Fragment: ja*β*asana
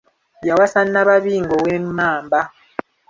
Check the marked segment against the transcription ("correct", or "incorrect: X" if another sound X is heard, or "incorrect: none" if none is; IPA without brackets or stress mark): incorrect: w